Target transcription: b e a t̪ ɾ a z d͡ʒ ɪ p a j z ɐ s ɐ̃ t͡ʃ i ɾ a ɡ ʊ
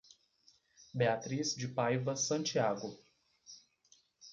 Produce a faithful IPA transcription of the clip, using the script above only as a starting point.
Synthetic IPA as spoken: b e a t̪ ɾ i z d͡ʒ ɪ p a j v ɐ s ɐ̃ t͡ʃ i a ɡ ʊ